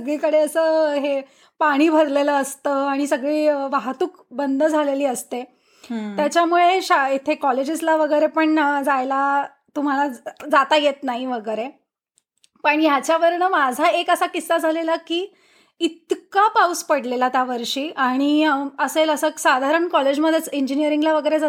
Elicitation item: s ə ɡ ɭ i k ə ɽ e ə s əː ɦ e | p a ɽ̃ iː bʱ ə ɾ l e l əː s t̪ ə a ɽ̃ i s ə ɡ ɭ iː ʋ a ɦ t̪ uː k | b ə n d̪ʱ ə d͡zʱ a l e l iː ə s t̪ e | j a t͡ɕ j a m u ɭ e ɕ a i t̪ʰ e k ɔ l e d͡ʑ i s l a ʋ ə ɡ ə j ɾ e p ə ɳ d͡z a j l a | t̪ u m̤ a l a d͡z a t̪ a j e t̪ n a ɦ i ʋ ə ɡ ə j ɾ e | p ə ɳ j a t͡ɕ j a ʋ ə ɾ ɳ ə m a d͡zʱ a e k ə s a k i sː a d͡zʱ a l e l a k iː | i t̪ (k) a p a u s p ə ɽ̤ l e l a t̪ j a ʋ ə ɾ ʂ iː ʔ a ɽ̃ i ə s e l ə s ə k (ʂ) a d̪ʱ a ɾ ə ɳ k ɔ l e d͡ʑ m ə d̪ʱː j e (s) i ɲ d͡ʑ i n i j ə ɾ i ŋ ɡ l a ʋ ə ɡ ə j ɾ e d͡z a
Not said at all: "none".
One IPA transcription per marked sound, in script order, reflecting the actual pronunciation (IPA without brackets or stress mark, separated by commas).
k, s, t͡s